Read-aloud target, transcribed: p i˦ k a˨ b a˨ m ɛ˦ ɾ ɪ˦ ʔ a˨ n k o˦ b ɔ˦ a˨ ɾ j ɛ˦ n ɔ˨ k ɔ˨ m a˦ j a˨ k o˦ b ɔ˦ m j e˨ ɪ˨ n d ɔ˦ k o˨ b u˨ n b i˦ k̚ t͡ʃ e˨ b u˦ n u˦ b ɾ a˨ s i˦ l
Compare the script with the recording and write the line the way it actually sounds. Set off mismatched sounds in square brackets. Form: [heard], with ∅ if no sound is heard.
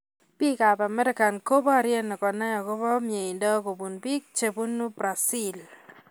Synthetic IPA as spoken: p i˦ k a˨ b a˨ m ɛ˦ ɾ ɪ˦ [k] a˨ n k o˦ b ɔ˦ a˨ ɾ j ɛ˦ n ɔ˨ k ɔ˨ [n] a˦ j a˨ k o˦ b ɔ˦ m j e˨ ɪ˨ n d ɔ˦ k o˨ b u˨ n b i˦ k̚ t͡ʃ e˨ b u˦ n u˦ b ɾ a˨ s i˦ l

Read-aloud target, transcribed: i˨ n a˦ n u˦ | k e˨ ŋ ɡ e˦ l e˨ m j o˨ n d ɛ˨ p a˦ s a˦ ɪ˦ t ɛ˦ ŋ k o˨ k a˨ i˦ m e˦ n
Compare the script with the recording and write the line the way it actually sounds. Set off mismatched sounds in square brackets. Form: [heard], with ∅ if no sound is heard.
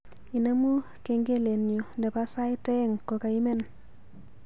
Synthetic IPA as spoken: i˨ n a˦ [m] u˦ | k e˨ ŋ ɡ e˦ l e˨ [n] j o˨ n d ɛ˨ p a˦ s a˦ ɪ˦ t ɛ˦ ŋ k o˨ k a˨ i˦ m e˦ n

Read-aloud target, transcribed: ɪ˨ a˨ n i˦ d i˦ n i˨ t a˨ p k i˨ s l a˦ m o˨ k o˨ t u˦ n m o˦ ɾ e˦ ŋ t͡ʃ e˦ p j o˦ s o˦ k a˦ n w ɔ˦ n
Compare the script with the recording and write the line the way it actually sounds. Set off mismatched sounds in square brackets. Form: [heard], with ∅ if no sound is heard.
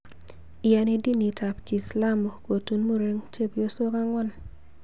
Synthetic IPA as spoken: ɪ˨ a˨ n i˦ d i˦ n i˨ t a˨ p k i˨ s l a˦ m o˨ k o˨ t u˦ n m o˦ ɾ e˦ ŋ t͡ʃ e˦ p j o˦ s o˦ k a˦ [ŋ] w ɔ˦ n

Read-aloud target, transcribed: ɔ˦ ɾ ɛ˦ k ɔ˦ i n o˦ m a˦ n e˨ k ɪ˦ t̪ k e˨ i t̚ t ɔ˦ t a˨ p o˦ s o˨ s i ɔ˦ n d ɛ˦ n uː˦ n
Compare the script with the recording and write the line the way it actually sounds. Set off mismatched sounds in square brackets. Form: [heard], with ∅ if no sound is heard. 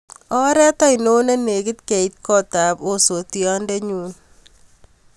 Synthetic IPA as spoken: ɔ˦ ɾ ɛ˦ [t] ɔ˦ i n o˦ [n] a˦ n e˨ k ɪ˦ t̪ k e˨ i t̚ [k] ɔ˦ t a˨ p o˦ s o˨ [t] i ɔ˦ n d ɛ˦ [ɲ] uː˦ n

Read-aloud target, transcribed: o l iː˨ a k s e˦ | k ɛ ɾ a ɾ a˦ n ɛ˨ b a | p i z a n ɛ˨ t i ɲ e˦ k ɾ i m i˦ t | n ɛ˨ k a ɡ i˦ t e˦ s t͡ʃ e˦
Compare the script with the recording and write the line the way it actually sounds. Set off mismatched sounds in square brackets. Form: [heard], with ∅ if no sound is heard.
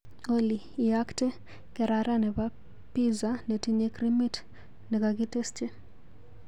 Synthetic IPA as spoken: o l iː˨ a k [t] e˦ | k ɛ ɾ a ɾ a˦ n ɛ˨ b a | p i z a n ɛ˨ t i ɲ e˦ k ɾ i m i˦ t | n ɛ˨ k a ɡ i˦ t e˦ s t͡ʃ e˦

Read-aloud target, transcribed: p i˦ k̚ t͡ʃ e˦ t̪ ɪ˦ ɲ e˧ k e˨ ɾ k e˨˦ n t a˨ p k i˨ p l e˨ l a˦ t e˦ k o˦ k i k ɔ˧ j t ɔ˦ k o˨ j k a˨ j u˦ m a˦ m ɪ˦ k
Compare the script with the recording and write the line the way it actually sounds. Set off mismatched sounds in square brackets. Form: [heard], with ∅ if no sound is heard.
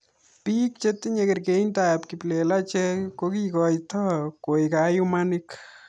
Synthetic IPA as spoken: p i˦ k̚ t͡ʃ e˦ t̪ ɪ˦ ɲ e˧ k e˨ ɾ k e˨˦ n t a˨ p k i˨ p l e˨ l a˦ [t͡ʃ] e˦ k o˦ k i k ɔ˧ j t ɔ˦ k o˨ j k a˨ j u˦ m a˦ [n] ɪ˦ k

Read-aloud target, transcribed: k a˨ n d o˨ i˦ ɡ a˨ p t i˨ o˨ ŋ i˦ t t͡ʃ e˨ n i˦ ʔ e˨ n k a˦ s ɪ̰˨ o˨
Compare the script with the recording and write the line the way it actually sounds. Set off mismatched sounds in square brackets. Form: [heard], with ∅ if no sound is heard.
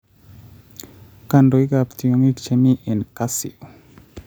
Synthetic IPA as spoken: k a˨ n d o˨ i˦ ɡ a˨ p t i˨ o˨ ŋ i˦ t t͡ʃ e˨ [m] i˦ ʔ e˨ n k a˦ s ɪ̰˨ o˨

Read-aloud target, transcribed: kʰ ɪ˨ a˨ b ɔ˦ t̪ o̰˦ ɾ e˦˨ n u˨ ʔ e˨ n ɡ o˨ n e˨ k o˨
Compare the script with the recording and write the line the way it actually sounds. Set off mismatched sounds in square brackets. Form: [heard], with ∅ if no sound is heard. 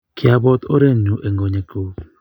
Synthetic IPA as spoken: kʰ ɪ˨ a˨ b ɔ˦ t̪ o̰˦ ɾ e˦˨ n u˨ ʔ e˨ [ŋ] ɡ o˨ [ɲ] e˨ k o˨

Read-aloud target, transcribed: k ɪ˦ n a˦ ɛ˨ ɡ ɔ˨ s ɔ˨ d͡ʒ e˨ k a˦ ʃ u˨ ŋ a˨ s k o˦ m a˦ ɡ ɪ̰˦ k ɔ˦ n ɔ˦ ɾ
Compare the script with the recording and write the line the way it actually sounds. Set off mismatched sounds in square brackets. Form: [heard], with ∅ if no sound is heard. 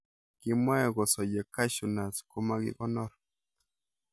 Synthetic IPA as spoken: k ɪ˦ [m] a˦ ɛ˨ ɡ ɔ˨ s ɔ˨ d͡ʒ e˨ k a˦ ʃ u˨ [n] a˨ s k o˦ m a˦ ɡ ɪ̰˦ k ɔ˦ n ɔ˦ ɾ

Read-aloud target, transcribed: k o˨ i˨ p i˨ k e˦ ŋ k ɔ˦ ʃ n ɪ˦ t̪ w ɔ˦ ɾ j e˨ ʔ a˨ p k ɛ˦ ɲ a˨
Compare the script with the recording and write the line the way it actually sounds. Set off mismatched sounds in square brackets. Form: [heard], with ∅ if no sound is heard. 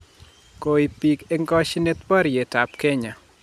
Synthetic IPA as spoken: k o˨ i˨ p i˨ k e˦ ŋ [ɡ] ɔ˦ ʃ n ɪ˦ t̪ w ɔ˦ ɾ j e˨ [t] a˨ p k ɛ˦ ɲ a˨

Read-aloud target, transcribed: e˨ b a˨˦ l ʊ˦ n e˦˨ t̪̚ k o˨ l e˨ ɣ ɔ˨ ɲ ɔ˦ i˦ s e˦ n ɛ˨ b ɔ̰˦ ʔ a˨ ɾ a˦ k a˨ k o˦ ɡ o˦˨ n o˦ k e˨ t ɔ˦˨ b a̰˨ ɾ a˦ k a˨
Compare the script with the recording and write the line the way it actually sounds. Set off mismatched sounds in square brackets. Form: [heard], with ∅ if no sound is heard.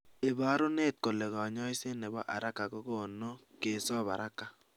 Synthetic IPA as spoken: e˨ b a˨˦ [ɾ] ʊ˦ n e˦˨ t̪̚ k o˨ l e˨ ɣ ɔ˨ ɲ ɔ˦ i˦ s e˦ n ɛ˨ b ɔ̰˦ ʔ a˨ ɾ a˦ k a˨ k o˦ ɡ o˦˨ n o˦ k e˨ [s] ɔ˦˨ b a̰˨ ɾ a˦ k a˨

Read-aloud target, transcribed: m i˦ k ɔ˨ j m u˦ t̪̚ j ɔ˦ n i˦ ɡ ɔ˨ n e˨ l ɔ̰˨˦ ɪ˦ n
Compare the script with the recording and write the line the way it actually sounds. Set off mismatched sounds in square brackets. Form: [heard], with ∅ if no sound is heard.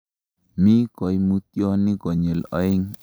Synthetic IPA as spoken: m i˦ k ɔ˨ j m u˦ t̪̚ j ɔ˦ n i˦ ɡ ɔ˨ [ɲ] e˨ l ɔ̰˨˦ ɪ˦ [ŋ]

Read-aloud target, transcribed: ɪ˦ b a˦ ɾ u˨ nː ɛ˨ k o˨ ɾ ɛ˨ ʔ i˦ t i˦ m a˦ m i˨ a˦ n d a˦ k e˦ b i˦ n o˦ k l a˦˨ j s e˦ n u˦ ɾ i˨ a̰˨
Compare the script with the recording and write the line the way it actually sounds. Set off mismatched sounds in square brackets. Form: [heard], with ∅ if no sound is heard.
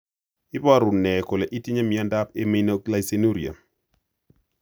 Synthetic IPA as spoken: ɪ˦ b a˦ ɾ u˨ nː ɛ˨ k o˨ [l] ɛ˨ ʔ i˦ t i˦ [ɲ] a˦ m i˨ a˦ n d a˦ [p] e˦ [m] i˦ n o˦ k l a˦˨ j s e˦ n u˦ ɾ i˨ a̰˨

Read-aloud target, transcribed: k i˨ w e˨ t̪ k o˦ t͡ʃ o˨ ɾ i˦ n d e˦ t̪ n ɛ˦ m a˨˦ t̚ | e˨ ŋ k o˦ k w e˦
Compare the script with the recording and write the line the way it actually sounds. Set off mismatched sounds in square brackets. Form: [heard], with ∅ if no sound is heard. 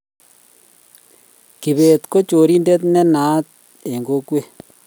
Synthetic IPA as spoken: k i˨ [β] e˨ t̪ k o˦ t͡ʃ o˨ ɾ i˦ n d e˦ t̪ n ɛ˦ [n] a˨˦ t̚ | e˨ ŋ [ɡ] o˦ k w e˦

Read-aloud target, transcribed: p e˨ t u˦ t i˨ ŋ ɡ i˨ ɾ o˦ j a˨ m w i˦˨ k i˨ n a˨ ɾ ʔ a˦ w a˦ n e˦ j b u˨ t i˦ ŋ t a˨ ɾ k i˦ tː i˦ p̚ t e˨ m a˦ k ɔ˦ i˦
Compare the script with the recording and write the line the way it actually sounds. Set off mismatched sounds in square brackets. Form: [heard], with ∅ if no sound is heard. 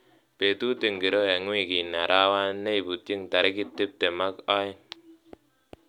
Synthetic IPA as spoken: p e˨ t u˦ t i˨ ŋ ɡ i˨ ɾ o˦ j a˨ [ŋ] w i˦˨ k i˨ n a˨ ɾ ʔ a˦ w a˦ n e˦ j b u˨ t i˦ ŋ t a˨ ɾ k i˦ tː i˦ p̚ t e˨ m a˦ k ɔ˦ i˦

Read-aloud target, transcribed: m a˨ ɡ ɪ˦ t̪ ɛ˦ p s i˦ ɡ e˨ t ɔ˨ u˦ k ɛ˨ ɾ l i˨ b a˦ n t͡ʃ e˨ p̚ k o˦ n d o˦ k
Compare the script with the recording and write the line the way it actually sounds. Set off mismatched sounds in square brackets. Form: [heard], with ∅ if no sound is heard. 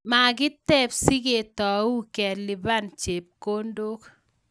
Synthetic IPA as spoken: m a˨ ɡ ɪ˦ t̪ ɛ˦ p s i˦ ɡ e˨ t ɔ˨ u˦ k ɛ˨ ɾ l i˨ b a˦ n t͡ʃ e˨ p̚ k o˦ n d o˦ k

